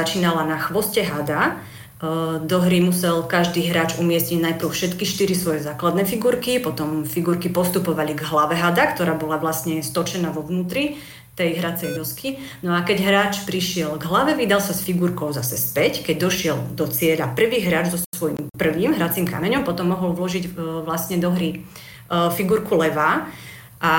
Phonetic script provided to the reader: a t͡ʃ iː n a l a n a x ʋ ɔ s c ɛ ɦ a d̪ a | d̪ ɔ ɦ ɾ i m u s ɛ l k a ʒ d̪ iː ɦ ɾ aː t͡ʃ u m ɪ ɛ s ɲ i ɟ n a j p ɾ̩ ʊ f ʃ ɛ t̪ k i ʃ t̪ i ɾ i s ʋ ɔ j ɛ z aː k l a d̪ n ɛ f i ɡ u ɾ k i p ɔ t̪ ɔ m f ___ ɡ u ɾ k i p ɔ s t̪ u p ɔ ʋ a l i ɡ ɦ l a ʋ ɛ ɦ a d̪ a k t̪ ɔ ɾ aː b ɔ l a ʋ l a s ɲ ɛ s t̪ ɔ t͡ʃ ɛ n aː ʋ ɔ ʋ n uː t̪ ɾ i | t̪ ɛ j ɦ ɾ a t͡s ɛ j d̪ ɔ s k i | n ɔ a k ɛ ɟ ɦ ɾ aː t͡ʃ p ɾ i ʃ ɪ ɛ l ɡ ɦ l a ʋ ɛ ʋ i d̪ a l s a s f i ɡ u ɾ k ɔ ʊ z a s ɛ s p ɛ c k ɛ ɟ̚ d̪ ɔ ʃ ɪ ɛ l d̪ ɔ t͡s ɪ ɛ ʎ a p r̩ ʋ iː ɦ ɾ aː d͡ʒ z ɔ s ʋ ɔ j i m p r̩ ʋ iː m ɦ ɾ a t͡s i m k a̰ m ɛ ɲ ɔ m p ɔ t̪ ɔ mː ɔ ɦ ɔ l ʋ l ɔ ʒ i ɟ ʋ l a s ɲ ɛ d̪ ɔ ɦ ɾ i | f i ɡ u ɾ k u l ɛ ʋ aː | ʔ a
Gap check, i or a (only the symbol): i